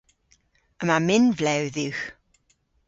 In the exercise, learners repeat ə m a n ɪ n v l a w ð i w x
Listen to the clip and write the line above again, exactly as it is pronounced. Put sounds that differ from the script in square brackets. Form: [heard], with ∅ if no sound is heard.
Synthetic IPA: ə m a [m] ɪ n v l [ɛ] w ð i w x